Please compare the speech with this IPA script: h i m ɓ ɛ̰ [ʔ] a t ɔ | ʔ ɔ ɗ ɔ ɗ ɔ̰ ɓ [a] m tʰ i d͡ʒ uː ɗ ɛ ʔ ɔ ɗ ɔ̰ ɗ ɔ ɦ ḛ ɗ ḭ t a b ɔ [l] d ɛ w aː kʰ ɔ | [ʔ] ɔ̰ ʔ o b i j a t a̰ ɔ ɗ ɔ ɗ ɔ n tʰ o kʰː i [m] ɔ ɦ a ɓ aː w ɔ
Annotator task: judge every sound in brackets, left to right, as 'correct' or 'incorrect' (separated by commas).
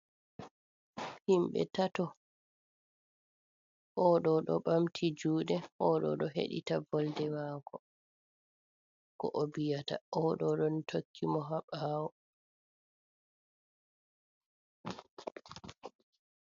incorrect, correct, correct, incorrect, correct